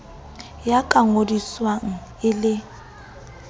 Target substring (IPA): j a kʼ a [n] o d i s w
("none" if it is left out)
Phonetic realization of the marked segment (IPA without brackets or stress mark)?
ŋ